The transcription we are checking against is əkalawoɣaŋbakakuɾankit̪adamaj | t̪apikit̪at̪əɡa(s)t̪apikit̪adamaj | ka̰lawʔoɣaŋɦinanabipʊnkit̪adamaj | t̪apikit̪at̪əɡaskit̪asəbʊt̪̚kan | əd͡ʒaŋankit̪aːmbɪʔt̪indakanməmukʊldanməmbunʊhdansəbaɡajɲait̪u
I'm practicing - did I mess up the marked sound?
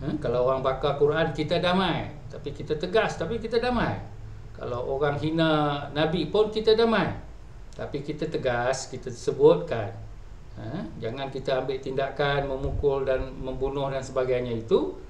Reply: no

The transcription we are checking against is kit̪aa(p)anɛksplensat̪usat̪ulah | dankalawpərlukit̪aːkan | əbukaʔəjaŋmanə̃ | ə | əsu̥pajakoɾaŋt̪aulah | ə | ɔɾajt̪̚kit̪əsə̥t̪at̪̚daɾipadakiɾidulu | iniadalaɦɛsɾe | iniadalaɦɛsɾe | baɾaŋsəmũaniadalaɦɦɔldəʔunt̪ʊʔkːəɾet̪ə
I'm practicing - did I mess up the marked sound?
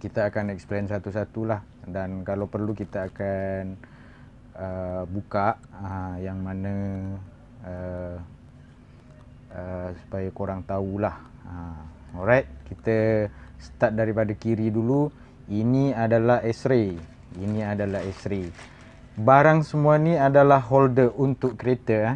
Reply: yes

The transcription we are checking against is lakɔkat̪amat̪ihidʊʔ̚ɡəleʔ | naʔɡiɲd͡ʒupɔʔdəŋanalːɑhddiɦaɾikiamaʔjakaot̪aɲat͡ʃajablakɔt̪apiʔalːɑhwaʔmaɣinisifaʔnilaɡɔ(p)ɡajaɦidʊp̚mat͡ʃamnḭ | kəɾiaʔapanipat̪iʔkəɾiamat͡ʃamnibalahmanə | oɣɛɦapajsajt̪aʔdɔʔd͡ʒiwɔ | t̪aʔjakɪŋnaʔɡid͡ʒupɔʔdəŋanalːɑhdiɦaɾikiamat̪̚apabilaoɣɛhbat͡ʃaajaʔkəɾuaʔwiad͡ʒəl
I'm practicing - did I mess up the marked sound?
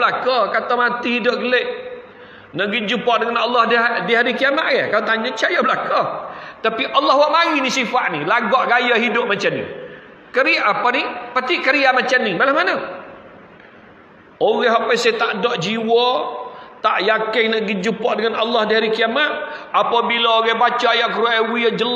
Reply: yes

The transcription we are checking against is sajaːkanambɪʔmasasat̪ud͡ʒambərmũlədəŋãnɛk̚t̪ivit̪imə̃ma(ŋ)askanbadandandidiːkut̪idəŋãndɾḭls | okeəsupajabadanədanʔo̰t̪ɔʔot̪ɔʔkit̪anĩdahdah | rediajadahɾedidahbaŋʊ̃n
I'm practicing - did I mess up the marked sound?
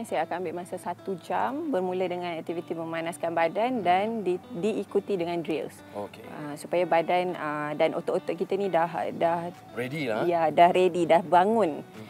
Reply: yes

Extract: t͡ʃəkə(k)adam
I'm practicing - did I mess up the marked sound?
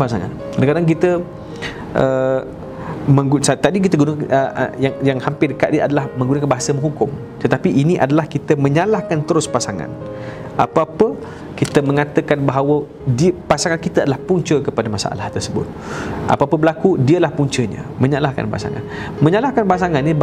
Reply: yes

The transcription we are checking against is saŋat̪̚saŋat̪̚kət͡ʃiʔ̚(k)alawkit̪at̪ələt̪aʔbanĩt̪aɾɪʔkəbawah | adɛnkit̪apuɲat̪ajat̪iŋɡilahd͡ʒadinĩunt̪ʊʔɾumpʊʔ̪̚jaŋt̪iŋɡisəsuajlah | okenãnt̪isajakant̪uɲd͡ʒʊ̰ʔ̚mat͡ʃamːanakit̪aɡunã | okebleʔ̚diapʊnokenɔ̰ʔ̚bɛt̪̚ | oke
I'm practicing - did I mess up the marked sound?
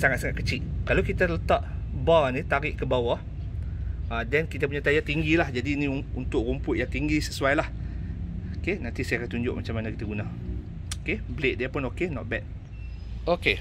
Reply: no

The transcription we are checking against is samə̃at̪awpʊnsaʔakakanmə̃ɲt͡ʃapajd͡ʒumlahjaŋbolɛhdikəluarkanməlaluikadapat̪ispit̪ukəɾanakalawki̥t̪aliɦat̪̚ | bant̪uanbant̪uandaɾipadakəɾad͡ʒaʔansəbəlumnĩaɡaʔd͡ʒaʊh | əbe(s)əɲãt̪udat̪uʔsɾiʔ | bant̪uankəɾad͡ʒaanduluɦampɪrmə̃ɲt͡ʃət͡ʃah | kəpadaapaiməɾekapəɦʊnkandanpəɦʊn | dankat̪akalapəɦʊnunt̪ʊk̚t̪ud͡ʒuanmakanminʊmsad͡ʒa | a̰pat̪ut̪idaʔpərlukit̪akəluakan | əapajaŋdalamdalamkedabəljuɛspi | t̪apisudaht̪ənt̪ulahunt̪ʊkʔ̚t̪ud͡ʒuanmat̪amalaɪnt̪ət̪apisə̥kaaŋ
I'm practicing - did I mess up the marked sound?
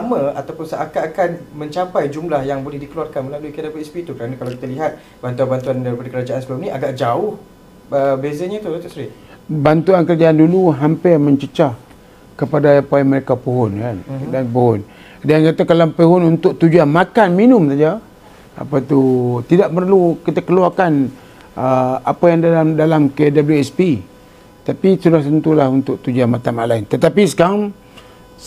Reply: yes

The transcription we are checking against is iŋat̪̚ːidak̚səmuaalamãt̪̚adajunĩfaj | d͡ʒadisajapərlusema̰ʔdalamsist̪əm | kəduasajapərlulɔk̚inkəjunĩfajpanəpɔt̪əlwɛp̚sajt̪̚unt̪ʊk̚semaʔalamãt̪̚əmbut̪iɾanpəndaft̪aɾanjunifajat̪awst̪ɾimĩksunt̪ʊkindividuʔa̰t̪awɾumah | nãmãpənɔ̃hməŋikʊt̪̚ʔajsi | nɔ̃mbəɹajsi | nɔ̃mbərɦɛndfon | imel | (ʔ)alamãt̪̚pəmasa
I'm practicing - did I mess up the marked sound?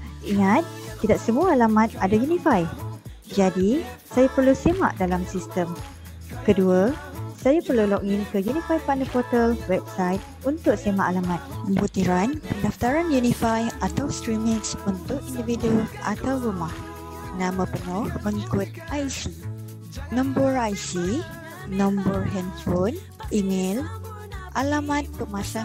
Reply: no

